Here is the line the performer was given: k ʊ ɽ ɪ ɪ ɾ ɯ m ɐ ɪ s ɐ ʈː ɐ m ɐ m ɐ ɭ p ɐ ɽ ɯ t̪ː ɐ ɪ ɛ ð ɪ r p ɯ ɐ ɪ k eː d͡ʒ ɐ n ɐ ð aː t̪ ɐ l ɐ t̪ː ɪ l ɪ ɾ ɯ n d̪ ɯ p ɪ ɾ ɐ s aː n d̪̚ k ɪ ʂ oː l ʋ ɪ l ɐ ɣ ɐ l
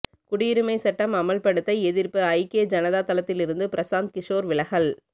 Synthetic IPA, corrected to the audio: k ʊ ɽ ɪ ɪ ɾ ɯ m ɐ ɪ s ɐ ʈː ɐ m ɐ m ɐ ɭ p ɐ ɽ ɯ t̪ː ɐ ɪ ɛ ð ɪ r p ɯ ɐ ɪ k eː d͡ʒ ɐ n ɐ ð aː t̪ ɐ l ɐ t̪ː ɪ l ɪ ɾ ɯ n d̪ ɯ p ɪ ɾ ɐ s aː n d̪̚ k ɪ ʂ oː ɾ ʋ ɪ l ɐ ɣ ɐ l